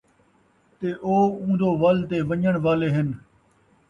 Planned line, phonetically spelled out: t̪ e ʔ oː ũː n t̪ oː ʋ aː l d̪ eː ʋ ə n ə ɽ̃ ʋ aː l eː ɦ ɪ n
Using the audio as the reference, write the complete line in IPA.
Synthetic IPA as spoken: t̪ e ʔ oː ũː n d̪ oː ʋ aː l t̪ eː ʋ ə ɲ ə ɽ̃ ʋ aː l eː ɦ ɪ n

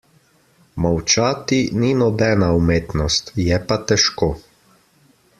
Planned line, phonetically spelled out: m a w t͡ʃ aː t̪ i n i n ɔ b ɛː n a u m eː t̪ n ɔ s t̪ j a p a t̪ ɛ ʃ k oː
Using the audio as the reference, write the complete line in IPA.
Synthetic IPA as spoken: m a w t͡ʃ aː t̪ i n i n ɔ b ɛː n a u m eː t̪ n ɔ s t̪ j ɛ p a t̪ ɛ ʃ k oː

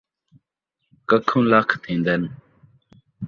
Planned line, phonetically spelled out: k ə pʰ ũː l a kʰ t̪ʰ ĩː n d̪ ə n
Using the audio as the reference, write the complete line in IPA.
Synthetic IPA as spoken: k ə kʰ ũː l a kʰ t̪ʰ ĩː n d̪ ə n

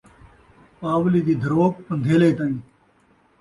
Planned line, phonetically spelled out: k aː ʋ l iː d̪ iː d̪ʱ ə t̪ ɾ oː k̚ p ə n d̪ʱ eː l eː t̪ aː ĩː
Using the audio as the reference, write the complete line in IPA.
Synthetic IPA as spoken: p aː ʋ l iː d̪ iː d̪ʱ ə ɾ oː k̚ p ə n d̪ʱ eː l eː t̪ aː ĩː

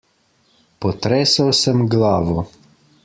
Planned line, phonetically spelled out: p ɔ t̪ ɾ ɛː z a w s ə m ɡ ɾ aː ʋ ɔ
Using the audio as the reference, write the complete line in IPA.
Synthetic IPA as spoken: p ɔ t̪ ɾ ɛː s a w s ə m ɡ l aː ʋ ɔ

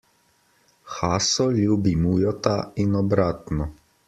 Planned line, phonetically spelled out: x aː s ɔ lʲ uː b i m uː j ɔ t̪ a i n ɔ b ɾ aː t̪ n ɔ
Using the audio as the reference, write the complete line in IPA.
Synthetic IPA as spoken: x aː s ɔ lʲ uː b i m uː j ɔ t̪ a i n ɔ b ɾ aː t̪ n ɔ

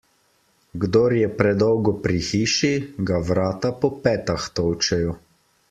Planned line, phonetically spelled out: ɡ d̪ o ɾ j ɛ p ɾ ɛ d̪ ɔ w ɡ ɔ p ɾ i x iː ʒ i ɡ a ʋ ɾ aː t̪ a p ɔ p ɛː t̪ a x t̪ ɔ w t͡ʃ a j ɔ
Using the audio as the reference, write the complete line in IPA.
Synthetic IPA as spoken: ɡ d̪ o ɾ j ɛ p ɾ ɛ d̪ ɔ w ɡ ɔ p ɾ i x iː ʃ i ɡ a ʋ ɾ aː t̪ a p ɔ p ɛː t̪ a x t̪ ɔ w t͡ʃ ɛ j ɔ

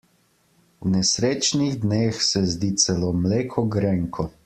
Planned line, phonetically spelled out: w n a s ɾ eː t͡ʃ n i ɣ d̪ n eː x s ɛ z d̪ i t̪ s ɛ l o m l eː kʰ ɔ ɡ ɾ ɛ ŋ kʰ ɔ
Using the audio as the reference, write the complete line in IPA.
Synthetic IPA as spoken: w n ɛ s ɾ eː t͡ʃ n i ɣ d̪ n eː x s ɛ z d̪ i t̪ s ɛ l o m l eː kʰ ɔ ɡ ɾ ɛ ŋ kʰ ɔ

